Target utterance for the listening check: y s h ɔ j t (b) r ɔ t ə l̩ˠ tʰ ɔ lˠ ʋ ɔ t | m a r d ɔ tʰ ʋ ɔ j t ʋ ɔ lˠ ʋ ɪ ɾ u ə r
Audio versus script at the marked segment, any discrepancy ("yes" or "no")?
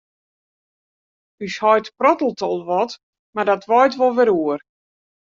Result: yes